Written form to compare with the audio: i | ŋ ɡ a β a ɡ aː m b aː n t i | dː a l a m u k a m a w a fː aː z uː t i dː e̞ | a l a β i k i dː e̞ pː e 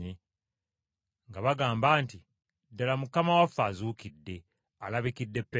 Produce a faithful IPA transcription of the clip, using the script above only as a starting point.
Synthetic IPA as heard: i | ŋ ɡ a β a ɡ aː m b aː n t i | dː a l a m u k a m a w a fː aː z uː k i dː e̞ | a l a β i k i dː e̞ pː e